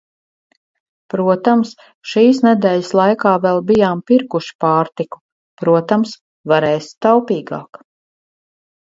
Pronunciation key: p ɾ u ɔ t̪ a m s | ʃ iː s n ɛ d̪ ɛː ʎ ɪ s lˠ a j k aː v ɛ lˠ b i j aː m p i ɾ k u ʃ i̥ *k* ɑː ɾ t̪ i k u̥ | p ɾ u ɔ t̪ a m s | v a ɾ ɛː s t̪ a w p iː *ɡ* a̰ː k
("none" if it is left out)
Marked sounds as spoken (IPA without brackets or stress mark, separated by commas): p, ɡ